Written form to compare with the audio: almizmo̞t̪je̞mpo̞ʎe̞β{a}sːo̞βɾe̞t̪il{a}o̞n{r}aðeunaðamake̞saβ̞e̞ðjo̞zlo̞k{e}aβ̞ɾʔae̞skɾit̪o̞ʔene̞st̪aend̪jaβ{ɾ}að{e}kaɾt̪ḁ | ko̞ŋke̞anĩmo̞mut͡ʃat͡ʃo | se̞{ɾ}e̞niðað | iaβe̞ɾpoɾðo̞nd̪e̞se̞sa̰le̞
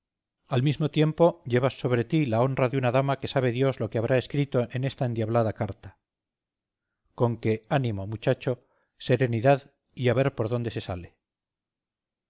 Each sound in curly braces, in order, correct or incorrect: correct, correct, correct, correct, incorrect: l, incorrect: a, correct

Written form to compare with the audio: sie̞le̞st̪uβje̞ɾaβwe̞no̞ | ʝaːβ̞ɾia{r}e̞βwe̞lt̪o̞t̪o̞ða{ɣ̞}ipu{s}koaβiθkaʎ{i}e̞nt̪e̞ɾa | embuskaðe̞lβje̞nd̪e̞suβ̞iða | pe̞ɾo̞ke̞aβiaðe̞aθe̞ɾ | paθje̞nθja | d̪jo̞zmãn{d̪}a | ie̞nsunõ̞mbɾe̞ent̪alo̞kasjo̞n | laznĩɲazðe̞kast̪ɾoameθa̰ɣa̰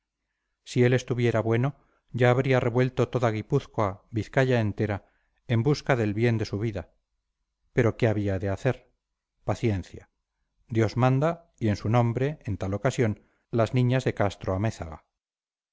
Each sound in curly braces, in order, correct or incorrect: correct, correct, incorrect: θ, incorrect: a, correct

